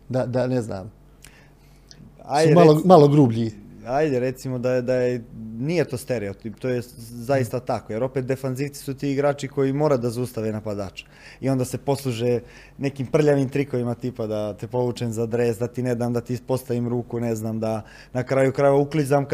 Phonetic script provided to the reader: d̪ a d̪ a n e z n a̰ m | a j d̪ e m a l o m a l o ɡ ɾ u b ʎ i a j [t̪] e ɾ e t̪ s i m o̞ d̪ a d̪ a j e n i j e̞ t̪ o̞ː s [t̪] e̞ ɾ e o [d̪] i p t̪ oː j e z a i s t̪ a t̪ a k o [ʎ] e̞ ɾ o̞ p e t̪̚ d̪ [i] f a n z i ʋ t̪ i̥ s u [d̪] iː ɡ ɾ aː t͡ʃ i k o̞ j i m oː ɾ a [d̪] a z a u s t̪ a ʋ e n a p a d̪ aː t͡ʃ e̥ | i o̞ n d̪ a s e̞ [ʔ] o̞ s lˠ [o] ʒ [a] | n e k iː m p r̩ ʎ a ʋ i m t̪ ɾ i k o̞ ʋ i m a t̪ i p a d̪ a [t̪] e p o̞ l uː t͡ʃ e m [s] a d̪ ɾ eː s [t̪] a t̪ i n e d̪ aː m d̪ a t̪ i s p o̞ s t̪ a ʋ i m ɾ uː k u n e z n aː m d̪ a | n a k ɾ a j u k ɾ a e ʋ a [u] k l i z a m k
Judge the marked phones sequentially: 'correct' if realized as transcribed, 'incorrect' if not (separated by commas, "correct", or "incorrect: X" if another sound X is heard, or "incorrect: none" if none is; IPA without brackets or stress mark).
incorrect: d̪, correct, incorrect: t̪, incorrect: j, incorrect: e, incorrect: t̪, correct, incorrect: p, incorrect: u, incorrect: e, correct, incorrect: z, incorrect: d̪, correct